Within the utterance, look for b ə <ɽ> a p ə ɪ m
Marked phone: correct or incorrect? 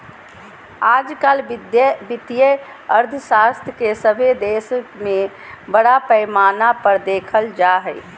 correct